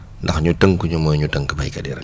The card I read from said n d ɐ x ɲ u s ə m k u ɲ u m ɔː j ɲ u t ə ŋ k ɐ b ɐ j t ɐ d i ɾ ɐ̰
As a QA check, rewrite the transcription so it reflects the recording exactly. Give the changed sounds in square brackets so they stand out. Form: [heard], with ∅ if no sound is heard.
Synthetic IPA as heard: n d ɐ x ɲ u [t] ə [ŋ] k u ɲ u m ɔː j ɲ u t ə ŋ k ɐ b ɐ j [k] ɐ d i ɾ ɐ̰